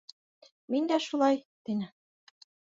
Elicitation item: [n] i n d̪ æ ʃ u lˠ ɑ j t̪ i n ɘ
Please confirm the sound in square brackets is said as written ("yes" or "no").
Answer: no